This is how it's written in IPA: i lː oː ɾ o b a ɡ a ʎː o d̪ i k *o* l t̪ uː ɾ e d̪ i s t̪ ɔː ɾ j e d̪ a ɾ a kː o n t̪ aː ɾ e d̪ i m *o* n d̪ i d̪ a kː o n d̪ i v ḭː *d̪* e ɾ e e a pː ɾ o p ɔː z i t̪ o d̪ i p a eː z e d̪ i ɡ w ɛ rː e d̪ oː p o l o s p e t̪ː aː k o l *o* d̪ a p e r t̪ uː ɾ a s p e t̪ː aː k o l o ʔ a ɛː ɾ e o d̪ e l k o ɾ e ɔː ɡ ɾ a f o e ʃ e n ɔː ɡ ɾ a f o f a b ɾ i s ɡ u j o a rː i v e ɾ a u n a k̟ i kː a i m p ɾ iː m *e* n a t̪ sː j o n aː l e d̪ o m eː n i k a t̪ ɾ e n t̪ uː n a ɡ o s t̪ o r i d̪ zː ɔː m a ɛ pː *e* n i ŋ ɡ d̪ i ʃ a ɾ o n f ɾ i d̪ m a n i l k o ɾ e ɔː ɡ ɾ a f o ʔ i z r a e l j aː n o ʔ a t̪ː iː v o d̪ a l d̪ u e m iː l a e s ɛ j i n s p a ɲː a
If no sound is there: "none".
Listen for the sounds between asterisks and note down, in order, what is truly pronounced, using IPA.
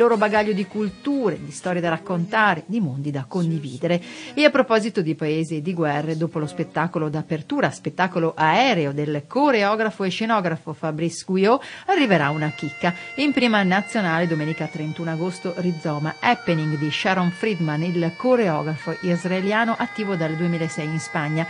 u, o, d̪, o, a, e

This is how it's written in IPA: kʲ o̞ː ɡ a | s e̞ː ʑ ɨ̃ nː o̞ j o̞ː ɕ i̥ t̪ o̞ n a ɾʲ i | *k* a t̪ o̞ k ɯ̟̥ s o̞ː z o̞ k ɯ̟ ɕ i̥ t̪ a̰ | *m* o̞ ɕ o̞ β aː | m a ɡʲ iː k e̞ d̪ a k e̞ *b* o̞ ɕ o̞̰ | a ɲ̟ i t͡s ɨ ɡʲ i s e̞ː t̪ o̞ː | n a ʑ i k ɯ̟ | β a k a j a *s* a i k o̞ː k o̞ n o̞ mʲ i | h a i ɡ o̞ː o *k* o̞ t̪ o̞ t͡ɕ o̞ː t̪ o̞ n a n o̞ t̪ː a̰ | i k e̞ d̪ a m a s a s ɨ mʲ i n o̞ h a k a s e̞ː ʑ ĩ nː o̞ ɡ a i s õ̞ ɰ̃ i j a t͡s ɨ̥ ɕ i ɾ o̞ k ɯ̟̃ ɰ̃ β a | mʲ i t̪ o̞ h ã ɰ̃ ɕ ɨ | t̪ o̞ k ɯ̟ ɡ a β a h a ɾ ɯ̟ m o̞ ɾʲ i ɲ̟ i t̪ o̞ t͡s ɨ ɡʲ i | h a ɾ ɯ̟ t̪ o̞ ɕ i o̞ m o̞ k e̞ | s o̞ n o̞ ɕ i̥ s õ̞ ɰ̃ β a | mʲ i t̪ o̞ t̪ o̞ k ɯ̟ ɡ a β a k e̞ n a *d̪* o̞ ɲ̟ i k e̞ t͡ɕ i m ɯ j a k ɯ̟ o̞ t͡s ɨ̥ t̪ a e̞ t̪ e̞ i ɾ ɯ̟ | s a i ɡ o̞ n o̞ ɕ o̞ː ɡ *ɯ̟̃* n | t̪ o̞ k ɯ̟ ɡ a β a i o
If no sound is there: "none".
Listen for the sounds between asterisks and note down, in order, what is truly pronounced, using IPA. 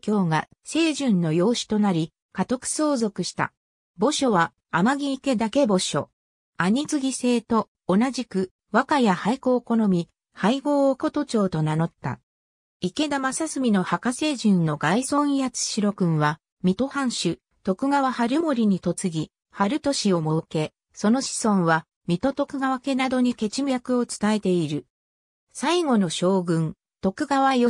k, b, b, h, k, d̪, ɯ̟̃

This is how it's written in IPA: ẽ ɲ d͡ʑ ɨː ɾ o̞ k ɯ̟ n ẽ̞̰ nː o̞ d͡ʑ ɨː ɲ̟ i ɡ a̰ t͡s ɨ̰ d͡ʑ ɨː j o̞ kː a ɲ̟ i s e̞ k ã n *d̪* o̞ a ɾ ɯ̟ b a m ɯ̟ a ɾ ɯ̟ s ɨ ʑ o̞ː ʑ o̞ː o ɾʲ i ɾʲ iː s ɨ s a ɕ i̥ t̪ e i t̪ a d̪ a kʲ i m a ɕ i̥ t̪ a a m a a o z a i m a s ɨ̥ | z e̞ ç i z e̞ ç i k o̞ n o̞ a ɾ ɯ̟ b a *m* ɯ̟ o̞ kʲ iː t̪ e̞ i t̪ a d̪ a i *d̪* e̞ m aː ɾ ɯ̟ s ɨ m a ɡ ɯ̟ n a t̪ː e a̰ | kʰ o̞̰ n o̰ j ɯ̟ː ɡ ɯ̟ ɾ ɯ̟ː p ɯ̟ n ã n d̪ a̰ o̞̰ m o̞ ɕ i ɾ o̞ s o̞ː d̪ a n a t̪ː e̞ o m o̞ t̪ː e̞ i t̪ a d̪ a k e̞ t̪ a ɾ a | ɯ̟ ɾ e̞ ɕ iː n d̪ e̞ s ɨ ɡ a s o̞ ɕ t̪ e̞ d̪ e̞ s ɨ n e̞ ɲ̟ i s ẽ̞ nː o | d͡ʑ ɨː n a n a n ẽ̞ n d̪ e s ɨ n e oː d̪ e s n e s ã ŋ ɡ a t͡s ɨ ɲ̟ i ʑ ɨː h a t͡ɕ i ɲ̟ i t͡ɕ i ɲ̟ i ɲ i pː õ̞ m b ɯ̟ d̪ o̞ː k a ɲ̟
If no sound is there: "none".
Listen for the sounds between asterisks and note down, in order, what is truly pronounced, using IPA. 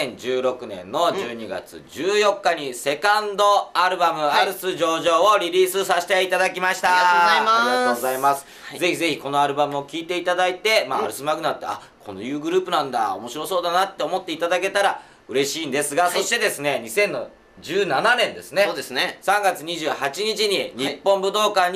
d̪, m, t̪

